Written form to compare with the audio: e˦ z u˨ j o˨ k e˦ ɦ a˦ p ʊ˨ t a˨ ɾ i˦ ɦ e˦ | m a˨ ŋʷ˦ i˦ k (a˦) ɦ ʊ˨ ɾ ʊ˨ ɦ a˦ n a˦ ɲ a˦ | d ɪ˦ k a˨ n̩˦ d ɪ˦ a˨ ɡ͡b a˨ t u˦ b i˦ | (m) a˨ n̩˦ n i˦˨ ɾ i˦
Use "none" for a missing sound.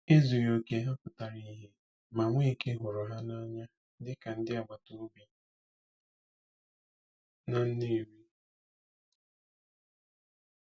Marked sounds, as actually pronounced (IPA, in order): e˦, n

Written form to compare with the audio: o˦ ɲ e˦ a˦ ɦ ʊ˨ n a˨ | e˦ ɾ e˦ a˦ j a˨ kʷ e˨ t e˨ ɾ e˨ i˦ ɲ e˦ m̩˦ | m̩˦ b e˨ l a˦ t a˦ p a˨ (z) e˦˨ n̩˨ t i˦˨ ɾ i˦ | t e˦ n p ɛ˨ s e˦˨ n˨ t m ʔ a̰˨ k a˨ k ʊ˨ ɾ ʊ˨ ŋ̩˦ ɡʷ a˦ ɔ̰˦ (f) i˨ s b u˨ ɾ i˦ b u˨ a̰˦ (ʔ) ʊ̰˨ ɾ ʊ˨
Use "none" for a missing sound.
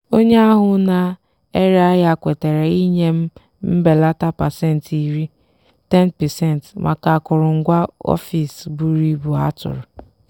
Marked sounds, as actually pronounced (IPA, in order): s, f, t

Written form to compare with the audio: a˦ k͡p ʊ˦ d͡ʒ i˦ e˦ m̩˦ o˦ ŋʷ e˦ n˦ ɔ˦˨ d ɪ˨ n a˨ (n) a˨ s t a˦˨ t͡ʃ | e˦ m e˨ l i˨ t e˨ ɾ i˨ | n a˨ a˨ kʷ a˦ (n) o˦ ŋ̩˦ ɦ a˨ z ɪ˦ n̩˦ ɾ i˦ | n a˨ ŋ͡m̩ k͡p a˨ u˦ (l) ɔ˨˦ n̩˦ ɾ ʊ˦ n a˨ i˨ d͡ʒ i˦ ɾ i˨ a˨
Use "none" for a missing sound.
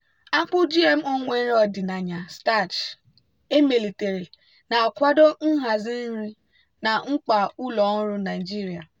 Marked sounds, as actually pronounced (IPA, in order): ɲ, d, l

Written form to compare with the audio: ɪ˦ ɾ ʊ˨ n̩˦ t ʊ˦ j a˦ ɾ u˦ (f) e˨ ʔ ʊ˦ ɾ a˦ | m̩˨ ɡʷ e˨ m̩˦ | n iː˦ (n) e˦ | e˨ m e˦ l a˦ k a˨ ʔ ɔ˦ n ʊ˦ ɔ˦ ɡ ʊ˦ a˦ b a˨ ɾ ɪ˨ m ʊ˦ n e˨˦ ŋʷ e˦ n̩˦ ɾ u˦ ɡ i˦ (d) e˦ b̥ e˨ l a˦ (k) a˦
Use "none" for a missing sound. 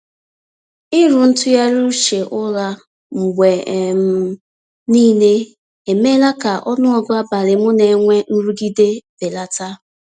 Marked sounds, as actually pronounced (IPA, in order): ʃ, n, d, t

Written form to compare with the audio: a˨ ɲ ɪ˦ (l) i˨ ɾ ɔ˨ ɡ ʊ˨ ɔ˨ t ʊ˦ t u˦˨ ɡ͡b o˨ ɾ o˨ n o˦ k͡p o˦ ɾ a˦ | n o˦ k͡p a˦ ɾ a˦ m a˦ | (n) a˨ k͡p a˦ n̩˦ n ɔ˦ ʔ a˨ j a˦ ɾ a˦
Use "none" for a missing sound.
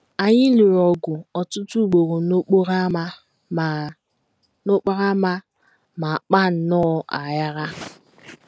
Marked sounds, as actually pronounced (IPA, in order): l, m

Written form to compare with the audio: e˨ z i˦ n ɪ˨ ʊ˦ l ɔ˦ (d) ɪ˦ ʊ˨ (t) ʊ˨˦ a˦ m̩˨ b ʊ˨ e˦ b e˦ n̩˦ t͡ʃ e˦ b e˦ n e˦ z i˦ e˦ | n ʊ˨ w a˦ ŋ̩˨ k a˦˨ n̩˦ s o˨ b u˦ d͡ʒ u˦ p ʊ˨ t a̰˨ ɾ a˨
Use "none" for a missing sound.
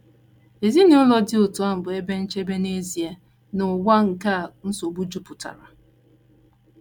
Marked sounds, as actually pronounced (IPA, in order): d, t

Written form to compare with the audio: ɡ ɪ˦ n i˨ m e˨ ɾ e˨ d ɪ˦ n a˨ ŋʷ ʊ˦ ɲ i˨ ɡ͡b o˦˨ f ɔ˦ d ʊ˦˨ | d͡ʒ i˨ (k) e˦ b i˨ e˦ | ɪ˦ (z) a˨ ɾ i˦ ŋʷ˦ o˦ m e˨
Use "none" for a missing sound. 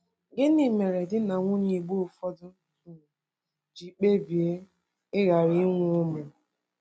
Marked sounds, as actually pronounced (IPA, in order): k͡p, ɣ

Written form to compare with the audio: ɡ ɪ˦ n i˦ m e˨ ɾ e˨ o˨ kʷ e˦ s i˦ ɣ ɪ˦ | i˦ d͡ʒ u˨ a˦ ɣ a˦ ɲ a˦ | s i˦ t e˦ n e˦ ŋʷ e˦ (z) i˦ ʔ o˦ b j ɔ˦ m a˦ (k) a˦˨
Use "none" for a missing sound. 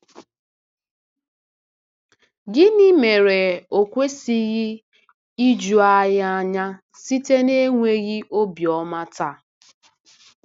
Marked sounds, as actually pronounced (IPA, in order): ɣ, t

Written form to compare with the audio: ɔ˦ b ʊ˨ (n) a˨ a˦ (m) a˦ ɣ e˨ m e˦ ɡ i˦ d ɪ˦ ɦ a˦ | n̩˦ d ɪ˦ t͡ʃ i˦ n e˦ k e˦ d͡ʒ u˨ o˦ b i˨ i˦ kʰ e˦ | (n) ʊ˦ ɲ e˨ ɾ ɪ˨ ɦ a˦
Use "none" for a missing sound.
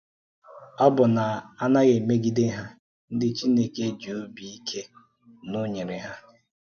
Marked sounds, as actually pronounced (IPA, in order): n, n, n

